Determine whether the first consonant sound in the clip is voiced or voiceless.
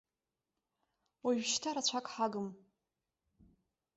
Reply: voiced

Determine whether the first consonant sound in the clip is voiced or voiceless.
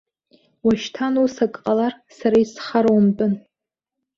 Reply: voiced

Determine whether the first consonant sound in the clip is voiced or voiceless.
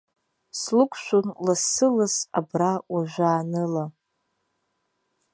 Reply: voiceless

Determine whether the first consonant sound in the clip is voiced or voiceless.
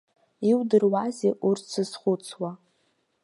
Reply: voiced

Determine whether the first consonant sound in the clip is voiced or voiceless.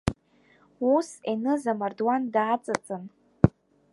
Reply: voiceless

